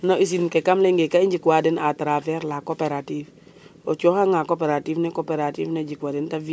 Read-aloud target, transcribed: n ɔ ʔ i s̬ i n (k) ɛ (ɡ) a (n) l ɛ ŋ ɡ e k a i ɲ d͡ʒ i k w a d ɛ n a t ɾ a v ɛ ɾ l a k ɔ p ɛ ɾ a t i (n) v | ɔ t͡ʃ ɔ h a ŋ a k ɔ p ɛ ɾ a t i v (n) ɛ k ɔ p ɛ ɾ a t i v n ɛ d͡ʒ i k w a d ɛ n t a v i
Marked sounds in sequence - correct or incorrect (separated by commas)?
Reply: correct, incorrect, incorrect, incorrect, correct